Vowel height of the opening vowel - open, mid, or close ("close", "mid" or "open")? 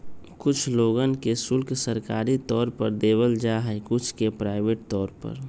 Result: close